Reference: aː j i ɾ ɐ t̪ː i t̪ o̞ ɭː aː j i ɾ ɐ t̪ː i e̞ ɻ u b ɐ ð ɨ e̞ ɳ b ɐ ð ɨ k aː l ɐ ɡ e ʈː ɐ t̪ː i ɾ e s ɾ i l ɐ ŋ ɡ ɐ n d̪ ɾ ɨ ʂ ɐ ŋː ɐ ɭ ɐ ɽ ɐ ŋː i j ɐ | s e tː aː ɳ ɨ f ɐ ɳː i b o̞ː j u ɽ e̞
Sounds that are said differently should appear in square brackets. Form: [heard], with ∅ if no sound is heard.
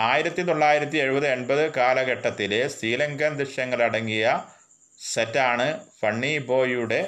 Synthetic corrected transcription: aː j i ɾ ɐ t̪ː i t̪ o̞ ɭː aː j i ɾ ɐ t̪ː i e̞ ɻ u b ɐ ð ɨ e̞ ɳ b ɐ ð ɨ k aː l ɐ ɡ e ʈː ɐ t̪ː i [l] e s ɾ [iː] l ɐ ŋ ɡ ɐ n d̪ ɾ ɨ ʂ ɐ ŋː ɐ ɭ ɐ ɽ ɐ ŋː i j ɐ | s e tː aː ɳ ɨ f ɐ ɳː i b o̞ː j u ɽ e̞